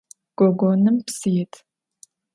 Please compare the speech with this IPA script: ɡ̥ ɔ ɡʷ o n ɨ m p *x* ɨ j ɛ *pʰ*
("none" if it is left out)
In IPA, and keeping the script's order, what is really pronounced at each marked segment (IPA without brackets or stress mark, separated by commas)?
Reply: s, tʰ